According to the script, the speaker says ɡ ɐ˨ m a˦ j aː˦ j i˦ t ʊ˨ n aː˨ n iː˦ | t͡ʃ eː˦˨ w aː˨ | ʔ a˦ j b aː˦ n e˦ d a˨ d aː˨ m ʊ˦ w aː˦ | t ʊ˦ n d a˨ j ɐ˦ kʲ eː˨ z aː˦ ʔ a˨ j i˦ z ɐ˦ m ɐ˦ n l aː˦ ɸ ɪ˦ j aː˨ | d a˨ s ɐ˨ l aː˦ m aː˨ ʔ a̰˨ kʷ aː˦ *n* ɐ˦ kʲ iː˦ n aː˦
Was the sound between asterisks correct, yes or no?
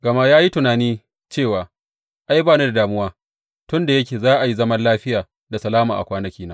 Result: yes